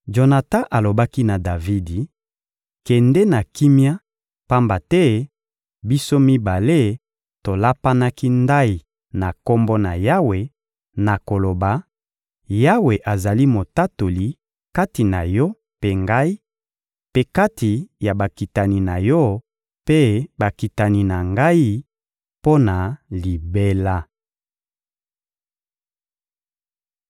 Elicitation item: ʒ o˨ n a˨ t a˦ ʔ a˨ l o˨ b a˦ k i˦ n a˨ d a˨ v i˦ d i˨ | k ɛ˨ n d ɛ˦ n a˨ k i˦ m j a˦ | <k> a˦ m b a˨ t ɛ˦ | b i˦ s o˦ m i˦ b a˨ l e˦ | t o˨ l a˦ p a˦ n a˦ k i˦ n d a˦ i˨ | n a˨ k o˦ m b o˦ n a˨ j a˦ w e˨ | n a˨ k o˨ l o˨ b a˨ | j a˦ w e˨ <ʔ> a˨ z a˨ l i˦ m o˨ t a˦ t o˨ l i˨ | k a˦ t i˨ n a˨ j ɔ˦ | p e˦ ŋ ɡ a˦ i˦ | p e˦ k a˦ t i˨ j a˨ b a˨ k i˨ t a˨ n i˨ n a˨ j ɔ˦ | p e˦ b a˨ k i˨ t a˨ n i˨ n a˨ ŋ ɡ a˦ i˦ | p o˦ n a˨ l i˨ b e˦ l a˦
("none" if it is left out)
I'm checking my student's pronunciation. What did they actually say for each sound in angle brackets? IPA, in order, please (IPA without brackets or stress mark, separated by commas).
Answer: p, ʔ